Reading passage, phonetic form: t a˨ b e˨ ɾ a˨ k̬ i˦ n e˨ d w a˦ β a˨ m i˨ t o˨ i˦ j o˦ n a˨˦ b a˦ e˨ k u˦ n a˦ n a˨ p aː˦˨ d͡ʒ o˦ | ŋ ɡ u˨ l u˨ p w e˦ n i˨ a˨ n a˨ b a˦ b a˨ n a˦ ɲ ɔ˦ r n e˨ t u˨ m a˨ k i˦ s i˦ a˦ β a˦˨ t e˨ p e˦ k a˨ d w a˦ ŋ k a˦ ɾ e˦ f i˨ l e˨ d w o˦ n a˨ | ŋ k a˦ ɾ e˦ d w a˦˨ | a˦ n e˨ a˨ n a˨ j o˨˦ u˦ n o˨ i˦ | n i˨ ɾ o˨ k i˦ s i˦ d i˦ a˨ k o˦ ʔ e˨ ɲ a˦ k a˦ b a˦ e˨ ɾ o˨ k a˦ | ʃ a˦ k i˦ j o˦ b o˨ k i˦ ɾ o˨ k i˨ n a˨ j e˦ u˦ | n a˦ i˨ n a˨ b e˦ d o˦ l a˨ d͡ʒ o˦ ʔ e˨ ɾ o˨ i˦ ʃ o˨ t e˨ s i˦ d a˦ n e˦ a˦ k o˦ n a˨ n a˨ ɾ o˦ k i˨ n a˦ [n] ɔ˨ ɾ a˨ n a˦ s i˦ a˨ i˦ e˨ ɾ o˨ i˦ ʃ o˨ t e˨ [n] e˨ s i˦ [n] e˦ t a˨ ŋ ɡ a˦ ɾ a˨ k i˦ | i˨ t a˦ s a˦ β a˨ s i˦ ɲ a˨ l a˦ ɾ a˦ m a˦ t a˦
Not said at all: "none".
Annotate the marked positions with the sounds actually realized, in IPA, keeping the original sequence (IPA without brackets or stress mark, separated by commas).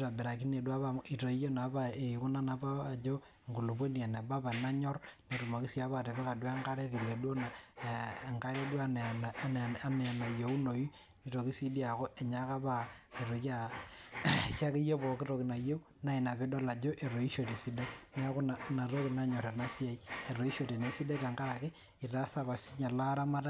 ɲ, n, d